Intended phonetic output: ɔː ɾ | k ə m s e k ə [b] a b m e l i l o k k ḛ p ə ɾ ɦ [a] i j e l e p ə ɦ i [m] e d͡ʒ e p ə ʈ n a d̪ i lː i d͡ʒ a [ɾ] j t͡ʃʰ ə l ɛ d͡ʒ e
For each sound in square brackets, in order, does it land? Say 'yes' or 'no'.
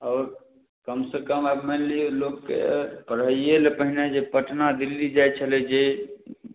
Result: no, no, no, no

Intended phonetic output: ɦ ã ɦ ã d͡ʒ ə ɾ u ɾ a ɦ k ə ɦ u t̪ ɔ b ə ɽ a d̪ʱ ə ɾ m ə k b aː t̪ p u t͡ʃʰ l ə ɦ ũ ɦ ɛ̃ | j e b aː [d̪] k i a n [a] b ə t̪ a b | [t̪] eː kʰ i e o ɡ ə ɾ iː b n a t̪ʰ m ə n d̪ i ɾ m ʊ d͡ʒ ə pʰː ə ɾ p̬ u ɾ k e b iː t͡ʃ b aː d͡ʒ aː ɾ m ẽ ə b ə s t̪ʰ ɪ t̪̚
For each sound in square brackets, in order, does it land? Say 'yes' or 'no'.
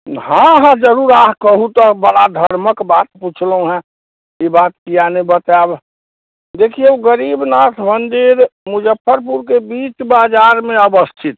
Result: no, no, no

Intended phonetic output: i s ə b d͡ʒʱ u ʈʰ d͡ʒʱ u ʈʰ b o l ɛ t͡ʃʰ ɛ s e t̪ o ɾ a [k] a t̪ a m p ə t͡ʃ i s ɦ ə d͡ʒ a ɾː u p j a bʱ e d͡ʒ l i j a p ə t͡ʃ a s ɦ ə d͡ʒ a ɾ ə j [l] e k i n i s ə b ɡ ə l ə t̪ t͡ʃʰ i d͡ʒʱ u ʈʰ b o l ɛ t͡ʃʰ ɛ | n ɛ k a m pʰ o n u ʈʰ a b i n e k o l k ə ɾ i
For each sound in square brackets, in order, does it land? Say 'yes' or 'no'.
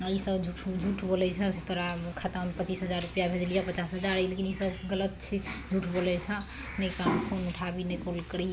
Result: no, yes

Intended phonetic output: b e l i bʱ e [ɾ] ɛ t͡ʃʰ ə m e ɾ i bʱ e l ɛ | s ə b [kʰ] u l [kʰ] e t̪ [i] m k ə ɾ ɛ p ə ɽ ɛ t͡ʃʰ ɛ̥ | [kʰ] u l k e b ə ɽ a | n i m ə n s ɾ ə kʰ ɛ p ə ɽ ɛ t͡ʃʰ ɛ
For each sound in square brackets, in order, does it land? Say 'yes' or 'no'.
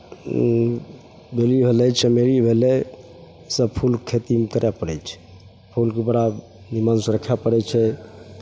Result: no, no, yes, yes, no

